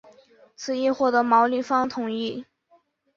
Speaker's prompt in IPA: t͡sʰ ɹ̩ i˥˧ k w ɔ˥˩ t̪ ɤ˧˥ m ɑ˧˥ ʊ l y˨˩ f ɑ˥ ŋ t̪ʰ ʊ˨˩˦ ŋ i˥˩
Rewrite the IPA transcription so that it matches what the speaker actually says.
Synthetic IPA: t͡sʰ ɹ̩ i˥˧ x w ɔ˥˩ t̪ ɤ˧˥ m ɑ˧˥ ʊ l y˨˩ f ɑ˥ ŋ t̪ʰ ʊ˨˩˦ ŋ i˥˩